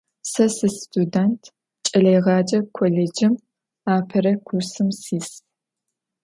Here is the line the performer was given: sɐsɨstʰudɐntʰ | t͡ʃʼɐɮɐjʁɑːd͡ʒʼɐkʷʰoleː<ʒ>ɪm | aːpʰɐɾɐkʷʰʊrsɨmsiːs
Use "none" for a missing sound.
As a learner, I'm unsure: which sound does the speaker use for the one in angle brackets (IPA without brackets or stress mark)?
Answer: d͡ʒ